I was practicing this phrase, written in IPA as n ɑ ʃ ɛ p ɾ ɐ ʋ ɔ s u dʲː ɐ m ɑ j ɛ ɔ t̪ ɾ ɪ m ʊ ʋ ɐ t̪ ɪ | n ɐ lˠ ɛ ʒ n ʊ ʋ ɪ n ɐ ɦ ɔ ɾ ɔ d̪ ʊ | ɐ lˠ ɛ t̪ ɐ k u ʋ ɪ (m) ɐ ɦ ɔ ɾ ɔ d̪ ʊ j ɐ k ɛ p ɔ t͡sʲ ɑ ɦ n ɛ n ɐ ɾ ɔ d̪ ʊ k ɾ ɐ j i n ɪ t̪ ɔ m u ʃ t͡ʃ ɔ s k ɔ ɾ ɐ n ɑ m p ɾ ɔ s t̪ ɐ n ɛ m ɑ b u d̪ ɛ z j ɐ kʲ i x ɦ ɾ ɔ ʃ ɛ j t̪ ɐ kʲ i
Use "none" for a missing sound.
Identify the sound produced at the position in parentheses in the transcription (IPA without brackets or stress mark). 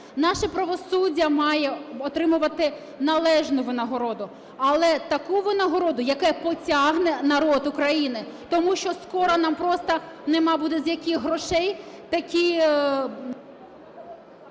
n